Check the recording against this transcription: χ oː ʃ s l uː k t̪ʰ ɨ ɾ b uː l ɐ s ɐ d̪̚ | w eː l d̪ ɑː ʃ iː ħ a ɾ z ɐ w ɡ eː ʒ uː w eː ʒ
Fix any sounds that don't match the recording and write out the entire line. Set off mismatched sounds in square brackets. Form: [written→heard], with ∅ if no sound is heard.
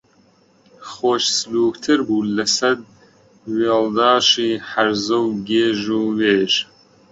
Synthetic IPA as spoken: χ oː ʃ s l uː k t̪ʰ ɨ ɾ b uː l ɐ s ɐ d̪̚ | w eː l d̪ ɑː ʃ iː ħ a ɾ z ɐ w ɡ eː ʒ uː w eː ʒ